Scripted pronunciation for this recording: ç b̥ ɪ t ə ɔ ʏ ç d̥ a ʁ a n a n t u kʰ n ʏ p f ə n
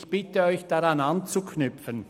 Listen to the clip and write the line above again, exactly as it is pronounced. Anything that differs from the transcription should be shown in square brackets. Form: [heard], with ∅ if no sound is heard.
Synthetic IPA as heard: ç b̥ ɪ t ə ɔ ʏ ç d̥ a ʁ a n a n [t͡s] u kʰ n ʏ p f ə n

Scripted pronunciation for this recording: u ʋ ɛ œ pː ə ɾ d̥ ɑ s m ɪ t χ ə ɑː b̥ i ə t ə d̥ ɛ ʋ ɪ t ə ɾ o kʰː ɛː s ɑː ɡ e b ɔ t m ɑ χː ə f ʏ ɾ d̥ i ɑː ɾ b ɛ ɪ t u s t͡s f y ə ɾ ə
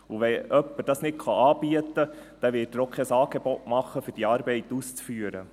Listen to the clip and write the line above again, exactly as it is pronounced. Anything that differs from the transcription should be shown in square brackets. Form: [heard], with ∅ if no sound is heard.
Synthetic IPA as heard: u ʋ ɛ œ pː ə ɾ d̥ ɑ s [n] ɪ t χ [ɑ] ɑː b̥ i ə t ə d̥ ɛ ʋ ɪ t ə ɾ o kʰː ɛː s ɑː ɡ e b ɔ t m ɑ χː ə f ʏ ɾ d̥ i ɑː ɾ b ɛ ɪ t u s t͡s f y ə ɾ ə

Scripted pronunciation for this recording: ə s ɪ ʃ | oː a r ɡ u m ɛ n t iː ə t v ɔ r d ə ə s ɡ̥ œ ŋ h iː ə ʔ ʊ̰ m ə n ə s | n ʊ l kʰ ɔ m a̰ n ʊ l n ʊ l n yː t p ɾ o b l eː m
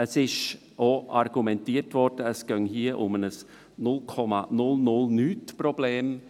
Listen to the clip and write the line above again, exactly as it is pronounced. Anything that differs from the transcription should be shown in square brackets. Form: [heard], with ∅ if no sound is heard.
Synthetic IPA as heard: ə s ɪ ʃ | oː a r ɡ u m ɛ n t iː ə t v ɔ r d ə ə s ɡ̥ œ ŋ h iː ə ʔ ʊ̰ m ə n ə s | n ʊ l kʰ ɔ m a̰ n ʊ l n ʊ l n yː t p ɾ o b l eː m

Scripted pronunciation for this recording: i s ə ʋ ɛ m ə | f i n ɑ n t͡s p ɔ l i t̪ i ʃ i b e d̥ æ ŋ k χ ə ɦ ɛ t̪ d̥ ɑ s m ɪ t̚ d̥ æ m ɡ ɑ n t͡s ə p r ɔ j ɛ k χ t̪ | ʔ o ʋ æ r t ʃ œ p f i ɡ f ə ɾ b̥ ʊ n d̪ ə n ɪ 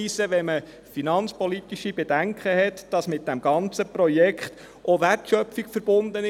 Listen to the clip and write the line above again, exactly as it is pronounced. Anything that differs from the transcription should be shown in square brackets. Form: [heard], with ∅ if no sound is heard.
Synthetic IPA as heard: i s ə ʋ ɛ m ə | f i n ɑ n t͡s p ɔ l i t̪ i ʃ i b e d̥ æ ŋ k χ ə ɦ ɛ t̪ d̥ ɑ s m ɪ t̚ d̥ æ m ɡ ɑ n t͡s ə p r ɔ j ɛ k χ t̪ | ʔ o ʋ æ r t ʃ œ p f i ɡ f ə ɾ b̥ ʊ n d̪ ə n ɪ

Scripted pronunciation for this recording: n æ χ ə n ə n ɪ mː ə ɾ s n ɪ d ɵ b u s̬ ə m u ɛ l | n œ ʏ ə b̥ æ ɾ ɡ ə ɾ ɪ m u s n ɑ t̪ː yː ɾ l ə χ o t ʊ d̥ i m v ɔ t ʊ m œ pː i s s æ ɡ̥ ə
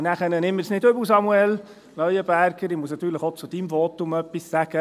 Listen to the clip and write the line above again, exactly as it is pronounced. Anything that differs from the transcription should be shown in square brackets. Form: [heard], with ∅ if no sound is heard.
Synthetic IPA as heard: n æ χ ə n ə n ɪ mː ə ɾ s n ɪ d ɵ b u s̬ [ɑ] m u ɛ l | n œ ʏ ə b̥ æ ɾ ɡ ə ɾ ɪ m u s n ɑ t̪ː yː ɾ l ə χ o [t͡s] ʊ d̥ i m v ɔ t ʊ m œ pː i s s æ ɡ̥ ə

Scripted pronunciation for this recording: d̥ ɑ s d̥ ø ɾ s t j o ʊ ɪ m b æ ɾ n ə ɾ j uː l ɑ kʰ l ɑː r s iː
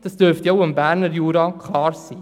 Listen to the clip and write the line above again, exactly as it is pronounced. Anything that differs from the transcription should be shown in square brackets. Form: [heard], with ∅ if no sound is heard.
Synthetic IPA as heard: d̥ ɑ s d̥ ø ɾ [f] t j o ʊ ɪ m b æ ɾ n ə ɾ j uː [ɾ] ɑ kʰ l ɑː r s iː

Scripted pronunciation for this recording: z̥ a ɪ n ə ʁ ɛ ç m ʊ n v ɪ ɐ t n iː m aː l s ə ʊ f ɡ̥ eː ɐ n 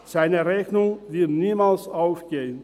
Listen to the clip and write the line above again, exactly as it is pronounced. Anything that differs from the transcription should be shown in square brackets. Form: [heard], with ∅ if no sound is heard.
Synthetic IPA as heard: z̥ a ɪ n ə ʁ ɛ ç [n] ʊ [ŋ] v ɪ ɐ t n iː m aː l s [a] ʊ f ɡ̥ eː [ə] n

